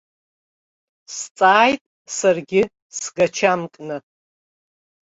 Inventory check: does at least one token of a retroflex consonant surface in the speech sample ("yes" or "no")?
no